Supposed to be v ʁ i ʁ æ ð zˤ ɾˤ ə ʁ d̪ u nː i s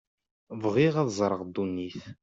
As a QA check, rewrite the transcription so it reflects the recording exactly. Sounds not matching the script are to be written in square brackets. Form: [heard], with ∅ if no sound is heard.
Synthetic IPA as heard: v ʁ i ʁ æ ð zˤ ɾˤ ə ʁ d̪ u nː i [θ]